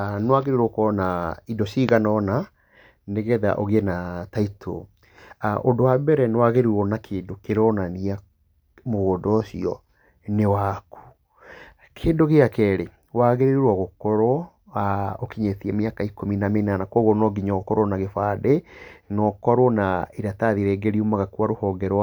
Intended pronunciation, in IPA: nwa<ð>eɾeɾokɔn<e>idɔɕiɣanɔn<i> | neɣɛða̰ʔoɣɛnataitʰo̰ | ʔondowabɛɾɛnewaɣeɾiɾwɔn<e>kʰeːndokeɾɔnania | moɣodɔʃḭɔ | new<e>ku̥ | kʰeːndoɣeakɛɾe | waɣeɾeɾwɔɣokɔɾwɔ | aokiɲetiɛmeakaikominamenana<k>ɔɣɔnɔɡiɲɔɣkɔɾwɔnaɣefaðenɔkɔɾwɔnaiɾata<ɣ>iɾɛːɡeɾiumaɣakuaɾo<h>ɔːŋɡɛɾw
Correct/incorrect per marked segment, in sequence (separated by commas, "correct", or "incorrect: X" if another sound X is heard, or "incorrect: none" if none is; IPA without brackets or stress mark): incorrect: ɣ, incorrect: a, incorrect: a, incorrect: a, incorrect: a, correct, incorrect: ð, correct